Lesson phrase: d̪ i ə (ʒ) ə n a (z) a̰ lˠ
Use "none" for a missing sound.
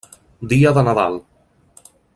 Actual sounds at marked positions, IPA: ð, ð

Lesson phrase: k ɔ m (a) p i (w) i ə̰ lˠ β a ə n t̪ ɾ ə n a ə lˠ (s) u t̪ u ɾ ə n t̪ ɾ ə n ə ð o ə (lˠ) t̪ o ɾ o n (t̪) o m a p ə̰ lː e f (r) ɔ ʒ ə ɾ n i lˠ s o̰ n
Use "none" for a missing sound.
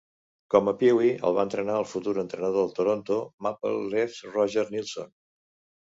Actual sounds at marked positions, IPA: ə, w, f, lˠ, t̪, r

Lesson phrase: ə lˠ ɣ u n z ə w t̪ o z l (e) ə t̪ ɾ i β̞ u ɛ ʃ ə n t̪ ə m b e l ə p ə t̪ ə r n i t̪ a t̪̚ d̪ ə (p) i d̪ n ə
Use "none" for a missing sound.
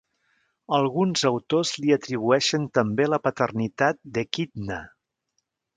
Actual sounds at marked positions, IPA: i, k

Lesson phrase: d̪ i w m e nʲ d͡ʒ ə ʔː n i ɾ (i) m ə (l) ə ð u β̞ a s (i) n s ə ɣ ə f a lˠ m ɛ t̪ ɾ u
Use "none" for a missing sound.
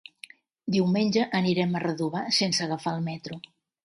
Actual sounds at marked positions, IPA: ɛ, r, e

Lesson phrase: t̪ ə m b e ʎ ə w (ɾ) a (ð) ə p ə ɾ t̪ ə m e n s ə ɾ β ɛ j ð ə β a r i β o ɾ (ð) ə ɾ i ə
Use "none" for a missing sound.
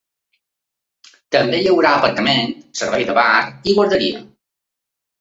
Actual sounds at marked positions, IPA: ɾ, none, ð

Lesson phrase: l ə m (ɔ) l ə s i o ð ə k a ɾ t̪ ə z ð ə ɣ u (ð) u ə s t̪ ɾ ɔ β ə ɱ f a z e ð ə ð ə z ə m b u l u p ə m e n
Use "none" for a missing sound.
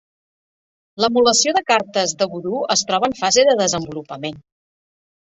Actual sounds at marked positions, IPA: u, ð

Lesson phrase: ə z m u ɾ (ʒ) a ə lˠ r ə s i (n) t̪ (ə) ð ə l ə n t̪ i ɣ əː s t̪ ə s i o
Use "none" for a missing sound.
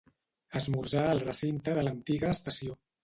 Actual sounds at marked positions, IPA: ʒ, n, ə

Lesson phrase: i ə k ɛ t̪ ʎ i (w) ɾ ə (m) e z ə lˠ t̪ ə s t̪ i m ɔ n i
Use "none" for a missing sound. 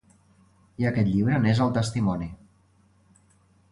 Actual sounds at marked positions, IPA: β, n

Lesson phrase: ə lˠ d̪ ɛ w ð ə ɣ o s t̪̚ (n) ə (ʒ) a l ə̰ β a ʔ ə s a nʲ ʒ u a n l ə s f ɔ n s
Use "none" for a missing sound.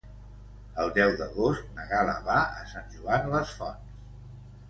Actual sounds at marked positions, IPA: n, ɣ

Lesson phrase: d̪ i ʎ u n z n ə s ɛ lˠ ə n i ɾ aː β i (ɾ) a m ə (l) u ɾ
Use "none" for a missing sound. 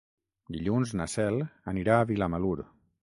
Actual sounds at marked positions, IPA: l, l

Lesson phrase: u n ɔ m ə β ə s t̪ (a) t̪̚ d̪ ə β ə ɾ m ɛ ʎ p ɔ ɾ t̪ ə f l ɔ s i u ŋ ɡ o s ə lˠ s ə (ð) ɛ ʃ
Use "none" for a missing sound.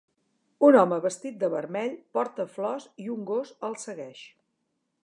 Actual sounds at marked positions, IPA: i, ɣ

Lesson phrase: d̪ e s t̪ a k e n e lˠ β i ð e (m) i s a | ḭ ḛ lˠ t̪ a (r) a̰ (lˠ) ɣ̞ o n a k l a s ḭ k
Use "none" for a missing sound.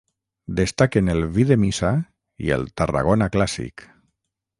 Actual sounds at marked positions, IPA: m, r, none

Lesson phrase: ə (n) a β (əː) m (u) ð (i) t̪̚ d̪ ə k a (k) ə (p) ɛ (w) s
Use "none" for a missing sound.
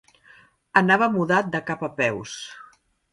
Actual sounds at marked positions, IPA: n, ə, u, a, p, p, w

